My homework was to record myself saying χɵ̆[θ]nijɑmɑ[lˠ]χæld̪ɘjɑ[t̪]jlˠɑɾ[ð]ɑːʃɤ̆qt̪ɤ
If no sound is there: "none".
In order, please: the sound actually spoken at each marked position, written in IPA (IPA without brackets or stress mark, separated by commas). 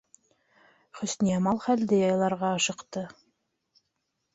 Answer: s, lˠ, none, ʁ